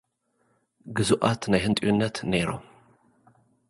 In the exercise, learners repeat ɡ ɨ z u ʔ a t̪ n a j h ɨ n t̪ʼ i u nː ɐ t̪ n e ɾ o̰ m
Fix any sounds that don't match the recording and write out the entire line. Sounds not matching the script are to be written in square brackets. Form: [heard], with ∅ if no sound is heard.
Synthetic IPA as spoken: ɡ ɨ z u ʔ a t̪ n a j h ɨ n t̪ʼ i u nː ɐ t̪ n e ɾ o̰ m